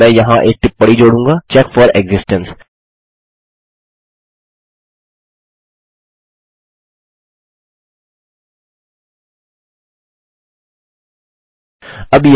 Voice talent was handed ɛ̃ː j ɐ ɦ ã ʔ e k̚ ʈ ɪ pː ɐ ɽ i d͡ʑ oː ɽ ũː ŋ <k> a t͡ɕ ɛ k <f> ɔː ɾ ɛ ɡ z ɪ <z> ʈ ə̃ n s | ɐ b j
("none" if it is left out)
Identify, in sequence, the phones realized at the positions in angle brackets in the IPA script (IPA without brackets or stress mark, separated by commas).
ɡ, f, s